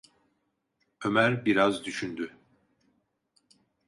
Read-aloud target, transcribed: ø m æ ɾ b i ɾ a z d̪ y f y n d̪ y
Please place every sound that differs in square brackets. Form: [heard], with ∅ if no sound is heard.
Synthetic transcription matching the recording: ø m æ ɾ b i ɾ a z d̪ y [ʃ] y n d̪ y